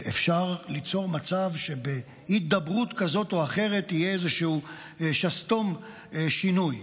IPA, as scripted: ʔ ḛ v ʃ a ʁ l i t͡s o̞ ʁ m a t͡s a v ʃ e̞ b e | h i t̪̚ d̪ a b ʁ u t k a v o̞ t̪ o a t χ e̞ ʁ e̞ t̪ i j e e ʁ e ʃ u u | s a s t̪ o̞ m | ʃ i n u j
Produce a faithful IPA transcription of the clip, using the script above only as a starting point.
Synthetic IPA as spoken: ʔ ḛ f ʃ a ʁ l i t͡s o̞ ʁ m a t͡s a v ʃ e̞ b e | h i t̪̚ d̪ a b ʁ u t k a z o̞ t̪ o a χ e̞ ʁ e̞ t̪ i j e e z e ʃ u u | ʃ a s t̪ o̞ m | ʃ i n u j